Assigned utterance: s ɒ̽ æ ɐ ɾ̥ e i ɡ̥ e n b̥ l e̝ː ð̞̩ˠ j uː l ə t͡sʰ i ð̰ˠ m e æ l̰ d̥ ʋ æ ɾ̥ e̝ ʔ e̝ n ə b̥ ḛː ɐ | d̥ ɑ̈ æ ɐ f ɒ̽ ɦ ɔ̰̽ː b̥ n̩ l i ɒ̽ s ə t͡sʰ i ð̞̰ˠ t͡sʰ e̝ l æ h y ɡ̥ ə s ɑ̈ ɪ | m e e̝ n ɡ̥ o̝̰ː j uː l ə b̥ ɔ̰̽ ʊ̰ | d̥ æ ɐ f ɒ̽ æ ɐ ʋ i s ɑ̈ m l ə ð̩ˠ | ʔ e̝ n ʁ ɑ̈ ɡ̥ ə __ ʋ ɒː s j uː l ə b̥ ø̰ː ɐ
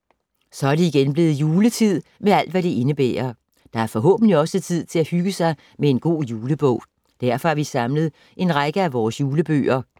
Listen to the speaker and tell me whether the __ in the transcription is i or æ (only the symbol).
æ